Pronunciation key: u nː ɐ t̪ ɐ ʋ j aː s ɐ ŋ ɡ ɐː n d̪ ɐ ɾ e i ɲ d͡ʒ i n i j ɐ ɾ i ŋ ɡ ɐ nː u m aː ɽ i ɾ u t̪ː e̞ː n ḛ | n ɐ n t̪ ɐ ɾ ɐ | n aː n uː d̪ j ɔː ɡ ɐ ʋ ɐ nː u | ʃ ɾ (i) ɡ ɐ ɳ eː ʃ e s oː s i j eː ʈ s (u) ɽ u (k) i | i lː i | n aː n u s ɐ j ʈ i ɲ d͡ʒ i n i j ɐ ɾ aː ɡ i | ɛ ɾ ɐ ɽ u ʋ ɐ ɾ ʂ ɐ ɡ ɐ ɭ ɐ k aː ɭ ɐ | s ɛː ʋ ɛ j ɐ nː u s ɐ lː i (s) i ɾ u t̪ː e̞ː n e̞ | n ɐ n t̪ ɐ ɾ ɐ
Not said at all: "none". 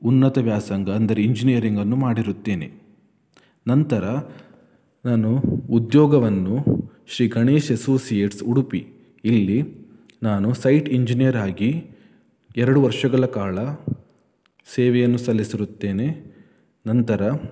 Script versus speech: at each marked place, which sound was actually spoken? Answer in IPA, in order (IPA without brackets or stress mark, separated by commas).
iː, u, p, s